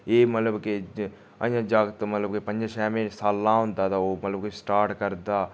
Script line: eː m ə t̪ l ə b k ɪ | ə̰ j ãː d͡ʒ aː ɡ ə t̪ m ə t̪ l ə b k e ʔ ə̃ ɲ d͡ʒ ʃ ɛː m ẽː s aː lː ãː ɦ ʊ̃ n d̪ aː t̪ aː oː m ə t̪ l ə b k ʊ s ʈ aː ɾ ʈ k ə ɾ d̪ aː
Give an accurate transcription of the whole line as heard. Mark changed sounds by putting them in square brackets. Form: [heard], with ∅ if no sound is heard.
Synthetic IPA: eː m ə t̪ l ə b k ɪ | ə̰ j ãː d͡ʒ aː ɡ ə t̪ m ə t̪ l ə b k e [p] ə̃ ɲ d͡ʒ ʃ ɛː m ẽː s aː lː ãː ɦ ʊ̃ n d̪ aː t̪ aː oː m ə t̪ l ə b k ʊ s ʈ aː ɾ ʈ k ə ɾ d̪ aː